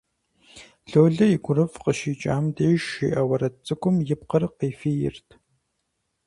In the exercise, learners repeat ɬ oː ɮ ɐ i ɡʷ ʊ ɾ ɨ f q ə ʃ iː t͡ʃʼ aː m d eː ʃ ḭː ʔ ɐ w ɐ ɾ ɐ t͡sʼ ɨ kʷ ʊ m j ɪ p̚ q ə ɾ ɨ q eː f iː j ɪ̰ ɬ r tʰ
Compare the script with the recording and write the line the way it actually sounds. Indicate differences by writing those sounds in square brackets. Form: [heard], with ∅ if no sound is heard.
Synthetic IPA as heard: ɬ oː ɮ ɐ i ɡʷ ʊ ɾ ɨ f q ə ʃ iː t͡ʃʼ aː m d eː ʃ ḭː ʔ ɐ w ɐ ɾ ɐ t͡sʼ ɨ kʷ ʊ m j ɪ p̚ q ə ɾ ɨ q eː f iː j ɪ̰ [∅] r tʰ